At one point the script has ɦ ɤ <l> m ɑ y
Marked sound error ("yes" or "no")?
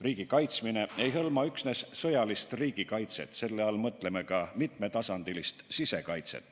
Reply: no